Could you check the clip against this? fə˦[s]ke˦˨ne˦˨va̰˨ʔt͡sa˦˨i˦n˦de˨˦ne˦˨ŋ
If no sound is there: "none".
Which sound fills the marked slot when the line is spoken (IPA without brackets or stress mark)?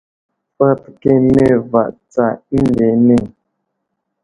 t